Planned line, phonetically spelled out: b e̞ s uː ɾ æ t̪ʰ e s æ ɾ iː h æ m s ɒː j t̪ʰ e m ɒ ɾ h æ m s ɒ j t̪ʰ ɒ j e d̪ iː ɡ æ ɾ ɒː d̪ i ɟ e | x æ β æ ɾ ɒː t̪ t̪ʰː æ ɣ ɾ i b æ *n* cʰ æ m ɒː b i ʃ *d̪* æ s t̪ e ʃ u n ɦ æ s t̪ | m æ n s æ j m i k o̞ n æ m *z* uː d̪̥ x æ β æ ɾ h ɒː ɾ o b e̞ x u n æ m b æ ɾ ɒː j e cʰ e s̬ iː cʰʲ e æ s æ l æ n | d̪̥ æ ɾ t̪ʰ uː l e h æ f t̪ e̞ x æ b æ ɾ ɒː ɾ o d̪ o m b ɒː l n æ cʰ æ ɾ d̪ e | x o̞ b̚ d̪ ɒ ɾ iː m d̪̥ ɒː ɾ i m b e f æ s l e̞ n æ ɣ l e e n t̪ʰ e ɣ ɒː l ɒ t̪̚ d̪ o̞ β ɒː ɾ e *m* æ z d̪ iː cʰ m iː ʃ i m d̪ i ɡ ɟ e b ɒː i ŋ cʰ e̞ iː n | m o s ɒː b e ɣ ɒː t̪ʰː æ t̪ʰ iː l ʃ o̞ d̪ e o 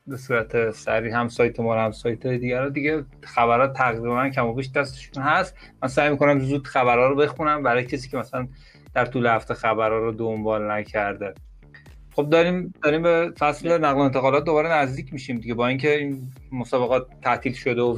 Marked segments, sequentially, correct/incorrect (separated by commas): correct, correct, correct, incorrect